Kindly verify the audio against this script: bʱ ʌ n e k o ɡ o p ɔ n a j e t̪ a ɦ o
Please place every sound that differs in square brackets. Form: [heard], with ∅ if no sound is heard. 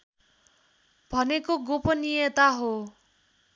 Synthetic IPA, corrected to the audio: bʱ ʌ n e k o ɡ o p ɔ n [i] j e t̪ a ɦ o